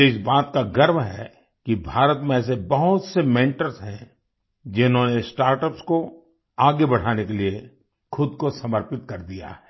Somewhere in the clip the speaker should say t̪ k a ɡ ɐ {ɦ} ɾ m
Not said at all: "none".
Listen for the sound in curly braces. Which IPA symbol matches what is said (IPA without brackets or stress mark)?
none